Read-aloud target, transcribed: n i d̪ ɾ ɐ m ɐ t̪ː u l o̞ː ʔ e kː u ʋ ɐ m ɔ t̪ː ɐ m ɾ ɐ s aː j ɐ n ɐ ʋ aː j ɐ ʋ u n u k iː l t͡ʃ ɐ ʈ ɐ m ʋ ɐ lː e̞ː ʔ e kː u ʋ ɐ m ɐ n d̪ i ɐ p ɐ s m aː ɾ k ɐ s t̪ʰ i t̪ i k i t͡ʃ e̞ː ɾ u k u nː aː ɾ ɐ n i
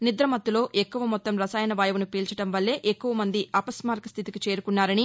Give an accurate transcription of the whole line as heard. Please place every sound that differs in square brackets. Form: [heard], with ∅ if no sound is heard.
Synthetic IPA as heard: n i d̪ ɾ ɐ m ɐ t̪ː u l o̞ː ʔ e kː u ʋ ɐ m ɔ t̪ː ɐ m ɾ ɐ s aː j ɐ n ɐ ʋ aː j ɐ ʋ u n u [p] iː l t͡ʃ ɐ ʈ ɐ m ʋ ɐ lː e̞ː ʔ e kː u ʋ ɐ m ɐ n d̪ i ɐ p ɐ s m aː ɾ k ɐ s t̪ʰ i t̪ i k i t͡ʃ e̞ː ɾ u k u nː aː ɾ ɐ n i

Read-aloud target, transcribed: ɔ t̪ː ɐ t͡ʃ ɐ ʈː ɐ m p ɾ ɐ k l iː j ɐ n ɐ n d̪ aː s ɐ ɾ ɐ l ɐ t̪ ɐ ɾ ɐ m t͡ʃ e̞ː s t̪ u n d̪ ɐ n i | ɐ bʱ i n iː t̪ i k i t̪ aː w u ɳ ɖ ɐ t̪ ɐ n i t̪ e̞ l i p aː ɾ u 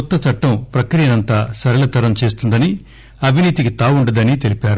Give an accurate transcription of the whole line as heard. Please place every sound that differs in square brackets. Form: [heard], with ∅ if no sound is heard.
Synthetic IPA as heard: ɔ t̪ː ɐ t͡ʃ ɐ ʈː ɐ m p ɾ ɐ k [ɾ] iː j ɐ n ɐ n [t̪] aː s ɐ ɾ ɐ l ɐ t̪ ɐ ɾ ɐ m t͡ʃ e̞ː s t̪ u n d̪ ɐ n i | ɐ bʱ i n iː t̪ i k i t̪ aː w u ɳ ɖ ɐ [d̪] ɐ n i t̪ e̞ l i p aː ɾ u

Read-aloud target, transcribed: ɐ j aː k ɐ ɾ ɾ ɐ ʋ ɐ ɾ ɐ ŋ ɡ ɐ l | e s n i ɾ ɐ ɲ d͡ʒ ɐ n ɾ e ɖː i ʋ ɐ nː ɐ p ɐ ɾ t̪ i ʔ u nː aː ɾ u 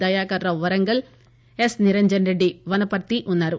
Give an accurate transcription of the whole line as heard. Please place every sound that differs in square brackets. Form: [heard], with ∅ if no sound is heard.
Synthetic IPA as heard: ɐ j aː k ɐ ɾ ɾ ɐ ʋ ɐ ɾ ɐ ŋ ɡ ɐ l | e s n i ɾ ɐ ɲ d͡ʒ ɐ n ɾ e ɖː i ʋ ɐ [n] ɐ p ɐ ɾ t̪ i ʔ u nː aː ɾ u

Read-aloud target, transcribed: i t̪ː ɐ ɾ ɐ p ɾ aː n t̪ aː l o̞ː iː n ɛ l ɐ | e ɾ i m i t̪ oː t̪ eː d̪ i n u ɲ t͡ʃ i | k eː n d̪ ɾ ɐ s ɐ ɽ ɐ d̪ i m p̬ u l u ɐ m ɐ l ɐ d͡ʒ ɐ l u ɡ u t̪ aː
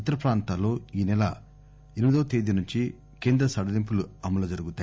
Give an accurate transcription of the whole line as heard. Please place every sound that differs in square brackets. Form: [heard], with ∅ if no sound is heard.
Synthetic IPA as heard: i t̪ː ɐ ɾ ɐ p ɾ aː n t̪ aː l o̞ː iː n ɛ l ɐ | e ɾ i m i [d̪] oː t̪ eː d̪ i n u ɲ t͡ʃ i | k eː n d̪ ɾ ɐ s ɐ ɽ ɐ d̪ i m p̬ u l u ɐ m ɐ l ɐ d͡ʒ ɐ [ɾ] u ɡ u t̪ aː

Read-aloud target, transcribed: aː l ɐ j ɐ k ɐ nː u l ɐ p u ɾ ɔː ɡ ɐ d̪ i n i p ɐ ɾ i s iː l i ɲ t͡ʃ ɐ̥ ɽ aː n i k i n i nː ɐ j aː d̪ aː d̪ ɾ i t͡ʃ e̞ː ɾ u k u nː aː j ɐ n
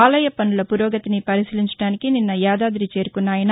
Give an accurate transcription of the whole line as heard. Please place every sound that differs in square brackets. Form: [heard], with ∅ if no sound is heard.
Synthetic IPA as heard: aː l ɐ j ɐ [p] ɐ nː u l ɐ p u ɾ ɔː ɡ ɐ [t̪] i n i p ɐ ɾ i s [i] l i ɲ t͡ʃ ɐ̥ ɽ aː n i k i n i nː ɐ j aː d̪ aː d̪ ɾ i t͡ʃ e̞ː ɾ u k u nː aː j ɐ n

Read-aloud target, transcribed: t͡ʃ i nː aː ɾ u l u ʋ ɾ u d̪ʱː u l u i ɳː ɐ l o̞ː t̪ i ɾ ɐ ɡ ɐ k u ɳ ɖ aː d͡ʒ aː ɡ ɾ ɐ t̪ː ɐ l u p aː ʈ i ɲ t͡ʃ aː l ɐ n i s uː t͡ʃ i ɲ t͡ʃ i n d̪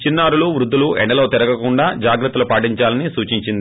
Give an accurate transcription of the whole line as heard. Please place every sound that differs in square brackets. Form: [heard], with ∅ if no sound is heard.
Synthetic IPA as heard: t͡ʃ i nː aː ɾ u l u ʋ ɾ u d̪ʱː u l u [ɛ] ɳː ɐ l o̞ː t̪ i ɾ ɐ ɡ ɐ k u ɳ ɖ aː d͡ʒ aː ɡ ɾ ɐ t̪ː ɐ l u p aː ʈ i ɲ t͡ʃ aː l ɐ n i s uː t͡ʃ i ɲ t͡ʃ i n d̪

